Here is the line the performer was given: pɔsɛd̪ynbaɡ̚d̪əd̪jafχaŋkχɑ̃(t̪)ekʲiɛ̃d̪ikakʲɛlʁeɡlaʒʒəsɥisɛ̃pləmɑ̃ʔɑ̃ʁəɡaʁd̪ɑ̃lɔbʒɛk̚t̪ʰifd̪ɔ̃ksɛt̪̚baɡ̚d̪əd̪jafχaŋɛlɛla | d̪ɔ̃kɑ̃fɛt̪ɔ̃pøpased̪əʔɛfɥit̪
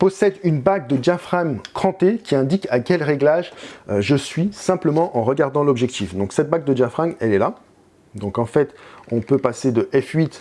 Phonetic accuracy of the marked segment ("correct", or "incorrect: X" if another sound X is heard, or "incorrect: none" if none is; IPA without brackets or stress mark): correct